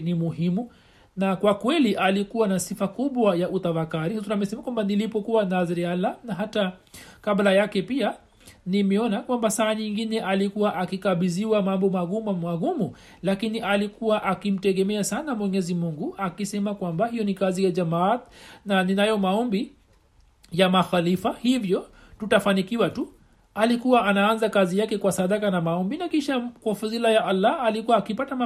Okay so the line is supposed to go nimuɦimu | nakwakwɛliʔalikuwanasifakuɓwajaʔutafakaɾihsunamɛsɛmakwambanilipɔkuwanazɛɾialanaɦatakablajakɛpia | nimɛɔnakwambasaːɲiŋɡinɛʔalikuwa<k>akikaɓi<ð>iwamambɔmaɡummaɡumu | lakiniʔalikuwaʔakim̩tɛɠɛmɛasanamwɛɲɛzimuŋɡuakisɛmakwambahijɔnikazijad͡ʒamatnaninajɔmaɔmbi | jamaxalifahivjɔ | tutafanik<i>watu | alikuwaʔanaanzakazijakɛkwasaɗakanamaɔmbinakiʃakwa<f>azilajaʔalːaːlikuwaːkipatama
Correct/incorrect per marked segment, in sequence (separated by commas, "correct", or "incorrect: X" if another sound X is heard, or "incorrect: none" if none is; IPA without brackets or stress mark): incorrect: ʔ, incorrect: z, correct, correct